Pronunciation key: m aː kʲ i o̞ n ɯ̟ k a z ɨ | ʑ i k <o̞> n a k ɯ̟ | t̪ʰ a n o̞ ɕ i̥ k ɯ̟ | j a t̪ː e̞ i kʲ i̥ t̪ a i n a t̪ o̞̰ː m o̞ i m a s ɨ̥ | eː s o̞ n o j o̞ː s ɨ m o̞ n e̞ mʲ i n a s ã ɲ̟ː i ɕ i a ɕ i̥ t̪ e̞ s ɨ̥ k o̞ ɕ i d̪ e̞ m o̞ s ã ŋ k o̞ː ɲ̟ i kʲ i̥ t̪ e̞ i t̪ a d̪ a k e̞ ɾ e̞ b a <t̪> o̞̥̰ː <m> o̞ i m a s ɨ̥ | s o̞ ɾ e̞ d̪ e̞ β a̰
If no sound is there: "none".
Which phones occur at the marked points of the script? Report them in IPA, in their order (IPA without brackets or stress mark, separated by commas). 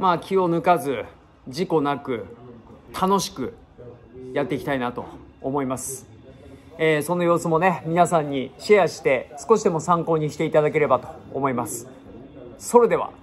o̞, t̪, m